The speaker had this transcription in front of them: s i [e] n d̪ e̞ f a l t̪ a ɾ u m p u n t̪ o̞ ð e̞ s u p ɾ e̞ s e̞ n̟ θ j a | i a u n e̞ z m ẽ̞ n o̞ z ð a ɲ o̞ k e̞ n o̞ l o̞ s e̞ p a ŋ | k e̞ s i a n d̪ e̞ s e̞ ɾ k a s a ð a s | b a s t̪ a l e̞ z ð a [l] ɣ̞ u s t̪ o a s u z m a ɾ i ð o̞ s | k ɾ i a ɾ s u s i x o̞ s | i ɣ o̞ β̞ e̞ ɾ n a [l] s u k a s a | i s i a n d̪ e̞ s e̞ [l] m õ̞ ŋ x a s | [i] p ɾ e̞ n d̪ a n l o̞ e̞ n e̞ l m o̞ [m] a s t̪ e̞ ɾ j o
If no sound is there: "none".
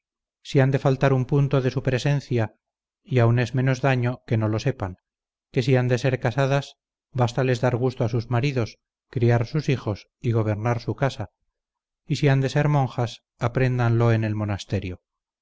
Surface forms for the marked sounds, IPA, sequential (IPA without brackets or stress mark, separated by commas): a, ɾ, ɾ, ɾ, a, n